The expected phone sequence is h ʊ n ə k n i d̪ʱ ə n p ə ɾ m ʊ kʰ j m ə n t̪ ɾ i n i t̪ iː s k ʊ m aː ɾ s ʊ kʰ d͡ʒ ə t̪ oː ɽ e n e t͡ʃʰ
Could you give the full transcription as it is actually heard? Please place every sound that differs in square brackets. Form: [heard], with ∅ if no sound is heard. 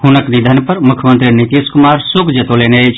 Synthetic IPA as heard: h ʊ n ə k n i d̪ʱ ə n p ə ɾ m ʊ kʰ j m ə n t̪ ɾ i n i t̪ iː s k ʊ m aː ɾ s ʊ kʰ d͡ʒ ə t̪ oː [l] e n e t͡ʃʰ